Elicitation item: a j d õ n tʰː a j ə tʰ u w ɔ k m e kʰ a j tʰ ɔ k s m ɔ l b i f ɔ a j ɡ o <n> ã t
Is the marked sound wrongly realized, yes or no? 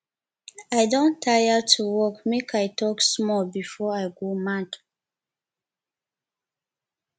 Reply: yes